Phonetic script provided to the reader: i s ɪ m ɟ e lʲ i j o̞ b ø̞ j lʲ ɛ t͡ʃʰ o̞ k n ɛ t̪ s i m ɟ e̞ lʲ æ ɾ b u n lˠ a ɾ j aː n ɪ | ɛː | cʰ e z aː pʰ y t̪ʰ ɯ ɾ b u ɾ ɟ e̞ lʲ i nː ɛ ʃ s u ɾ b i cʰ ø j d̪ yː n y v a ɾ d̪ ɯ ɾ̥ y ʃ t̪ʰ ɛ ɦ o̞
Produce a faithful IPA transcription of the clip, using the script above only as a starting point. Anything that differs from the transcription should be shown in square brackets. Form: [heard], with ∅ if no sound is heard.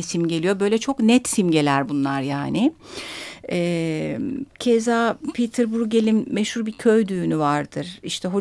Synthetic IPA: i s [i] m ɟ e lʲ i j o̞ b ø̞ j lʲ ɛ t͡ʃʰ o̞ k n ɛ t̪ s i m ɟ e̞ lʲ æ ɾ b u n lˠ a ɾ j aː n ɪ | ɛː | cʰ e z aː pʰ [i] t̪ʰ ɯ ɾ b u ɾ ɟ e̞ lʲ i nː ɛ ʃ [h] u ɾ b i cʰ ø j d̪ yː n y v a ɾ d̪ ɯ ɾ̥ [i] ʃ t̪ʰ ɛ ɦ o̞